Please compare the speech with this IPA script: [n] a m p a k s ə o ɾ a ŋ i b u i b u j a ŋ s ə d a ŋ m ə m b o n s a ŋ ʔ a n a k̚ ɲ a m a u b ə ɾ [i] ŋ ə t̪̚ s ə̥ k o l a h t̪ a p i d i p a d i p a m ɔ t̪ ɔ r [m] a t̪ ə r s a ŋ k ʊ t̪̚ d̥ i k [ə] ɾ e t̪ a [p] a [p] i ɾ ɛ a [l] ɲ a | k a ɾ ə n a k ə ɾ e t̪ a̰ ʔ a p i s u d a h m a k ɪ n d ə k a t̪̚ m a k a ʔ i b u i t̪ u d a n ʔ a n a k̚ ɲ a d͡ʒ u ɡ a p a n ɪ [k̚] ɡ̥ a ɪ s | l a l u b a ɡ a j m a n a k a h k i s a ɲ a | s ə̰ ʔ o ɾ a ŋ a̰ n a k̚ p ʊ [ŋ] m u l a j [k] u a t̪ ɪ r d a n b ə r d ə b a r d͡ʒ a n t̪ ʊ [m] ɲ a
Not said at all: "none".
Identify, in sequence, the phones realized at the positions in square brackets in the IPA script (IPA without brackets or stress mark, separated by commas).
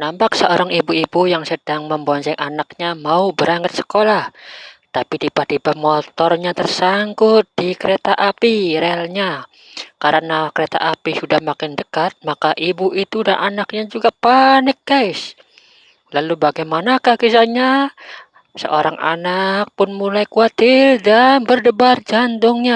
n, a, ɲ, ə, ʔ, p, l, k̚, n, k, ŋ